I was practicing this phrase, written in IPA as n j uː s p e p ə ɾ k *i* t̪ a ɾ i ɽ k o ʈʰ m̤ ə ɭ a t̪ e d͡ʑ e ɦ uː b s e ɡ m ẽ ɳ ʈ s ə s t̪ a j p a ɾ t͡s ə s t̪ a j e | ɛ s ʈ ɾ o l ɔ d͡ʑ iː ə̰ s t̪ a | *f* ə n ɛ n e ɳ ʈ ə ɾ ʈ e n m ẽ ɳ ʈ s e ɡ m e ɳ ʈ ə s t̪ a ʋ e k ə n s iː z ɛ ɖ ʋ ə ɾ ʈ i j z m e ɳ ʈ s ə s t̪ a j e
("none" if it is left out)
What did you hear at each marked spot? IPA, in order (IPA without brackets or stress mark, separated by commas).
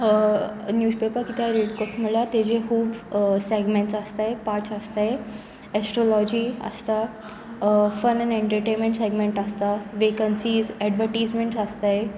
i, f